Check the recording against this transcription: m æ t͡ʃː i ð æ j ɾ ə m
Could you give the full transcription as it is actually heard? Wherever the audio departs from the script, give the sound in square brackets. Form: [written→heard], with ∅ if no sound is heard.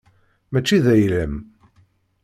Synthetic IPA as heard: m æ t͡ʃː i ð æ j [ɾ→l] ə m